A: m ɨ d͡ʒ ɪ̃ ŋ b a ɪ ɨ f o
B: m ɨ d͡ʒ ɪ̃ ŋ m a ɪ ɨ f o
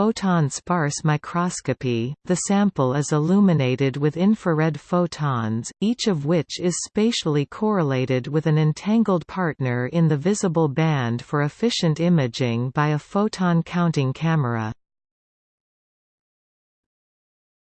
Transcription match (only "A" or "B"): A